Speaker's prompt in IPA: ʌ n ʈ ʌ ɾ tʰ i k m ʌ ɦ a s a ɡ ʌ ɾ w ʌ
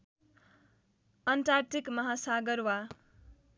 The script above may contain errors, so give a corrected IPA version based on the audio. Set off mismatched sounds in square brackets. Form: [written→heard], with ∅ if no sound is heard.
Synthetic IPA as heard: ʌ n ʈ [ʌ→a] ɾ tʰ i k m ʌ ɦ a s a ɡ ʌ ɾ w [ʌ→a]